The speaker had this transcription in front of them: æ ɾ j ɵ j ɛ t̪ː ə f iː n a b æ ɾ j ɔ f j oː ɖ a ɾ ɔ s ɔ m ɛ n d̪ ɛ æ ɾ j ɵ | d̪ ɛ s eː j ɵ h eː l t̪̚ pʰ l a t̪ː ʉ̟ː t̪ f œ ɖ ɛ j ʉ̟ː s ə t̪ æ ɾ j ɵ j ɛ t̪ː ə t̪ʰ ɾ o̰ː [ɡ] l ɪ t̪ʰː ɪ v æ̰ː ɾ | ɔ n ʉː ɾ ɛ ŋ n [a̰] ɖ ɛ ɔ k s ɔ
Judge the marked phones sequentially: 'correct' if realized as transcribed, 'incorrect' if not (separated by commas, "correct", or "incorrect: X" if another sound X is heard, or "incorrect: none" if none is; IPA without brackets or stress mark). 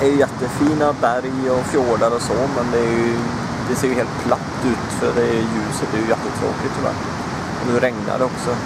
incorrect: k, correct